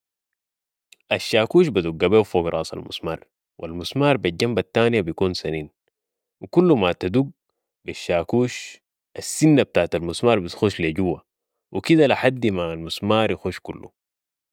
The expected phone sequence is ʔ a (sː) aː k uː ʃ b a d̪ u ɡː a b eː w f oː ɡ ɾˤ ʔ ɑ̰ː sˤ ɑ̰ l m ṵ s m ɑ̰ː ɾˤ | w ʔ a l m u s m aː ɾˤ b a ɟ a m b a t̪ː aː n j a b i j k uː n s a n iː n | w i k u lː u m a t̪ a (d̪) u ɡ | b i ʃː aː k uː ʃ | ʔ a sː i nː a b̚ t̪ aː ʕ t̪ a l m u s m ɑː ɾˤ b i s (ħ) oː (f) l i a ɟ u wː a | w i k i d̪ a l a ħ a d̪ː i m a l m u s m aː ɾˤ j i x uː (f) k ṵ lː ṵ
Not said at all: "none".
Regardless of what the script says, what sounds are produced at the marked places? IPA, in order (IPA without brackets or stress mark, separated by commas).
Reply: ʃː, d̪, x, ʃ, ʃ